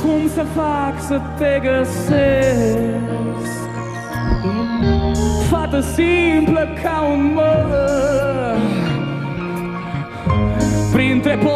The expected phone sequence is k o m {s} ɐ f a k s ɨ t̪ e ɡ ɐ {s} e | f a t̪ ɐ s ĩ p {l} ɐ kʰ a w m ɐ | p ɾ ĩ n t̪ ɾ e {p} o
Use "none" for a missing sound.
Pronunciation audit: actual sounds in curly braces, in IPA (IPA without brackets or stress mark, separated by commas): s, s, l, p